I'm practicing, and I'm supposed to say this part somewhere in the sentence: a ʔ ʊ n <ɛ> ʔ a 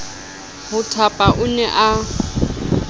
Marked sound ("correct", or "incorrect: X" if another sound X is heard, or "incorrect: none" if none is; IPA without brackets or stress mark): correct